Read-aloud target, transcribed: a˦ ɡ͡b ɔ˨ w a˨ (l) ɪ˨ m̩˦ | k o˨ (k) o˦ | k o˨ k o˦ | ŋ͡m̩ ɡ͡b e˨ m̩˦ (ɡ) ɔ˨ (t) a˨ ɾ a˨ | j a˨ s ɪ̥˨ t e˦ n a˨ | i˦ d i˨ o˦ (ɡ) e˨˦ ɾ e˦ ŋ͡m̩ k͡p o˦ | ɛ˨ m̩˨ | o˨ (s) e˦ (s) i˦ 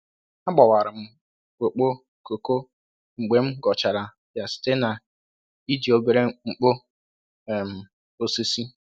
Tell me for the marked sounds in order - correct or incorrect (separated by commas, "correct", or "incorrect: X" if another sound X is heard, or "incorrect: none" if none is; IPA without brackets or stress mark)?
incorrect: ɾ, incorrect: k͡p, correct, incorrect: t͡ʃ, incorrect: b, correct, correct